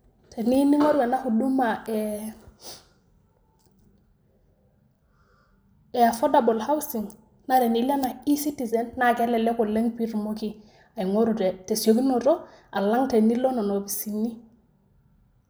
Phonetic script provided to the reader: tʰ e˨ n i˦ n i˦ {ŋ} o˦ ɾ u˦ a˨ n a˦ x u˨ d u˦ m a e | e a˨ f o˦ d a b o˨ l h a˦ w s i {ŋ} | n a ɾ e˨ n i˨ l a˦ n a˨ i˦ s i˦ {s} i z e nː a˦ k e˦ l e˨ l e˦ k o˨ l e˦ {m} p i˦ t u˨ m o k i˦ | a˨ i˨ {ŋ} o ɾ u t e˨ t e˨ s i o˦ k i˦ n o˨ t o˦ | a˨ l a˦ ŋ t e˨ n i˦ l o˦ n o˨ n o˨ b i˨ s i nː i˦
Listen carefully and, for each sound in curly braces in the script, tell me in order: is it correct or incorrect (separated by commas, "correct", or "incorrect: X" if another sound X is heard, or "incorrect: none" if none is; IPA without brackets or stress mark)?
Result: correct, correct, incorrect: t, incorrect: ŋ, correct